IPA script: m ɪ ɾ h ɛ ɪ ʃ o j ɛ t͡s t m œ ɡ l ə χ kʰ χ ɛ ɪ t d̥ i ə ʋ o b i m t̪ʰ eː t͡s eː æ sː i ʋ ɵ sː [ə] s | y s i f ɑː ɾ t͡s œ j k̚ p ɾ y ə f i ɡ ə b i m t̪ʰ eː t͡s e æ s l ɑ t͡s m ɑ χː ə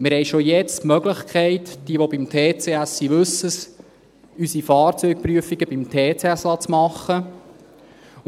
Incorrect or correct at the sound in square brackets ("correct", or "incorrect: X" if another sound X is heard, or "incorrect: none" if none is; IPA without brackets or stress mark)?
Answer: correct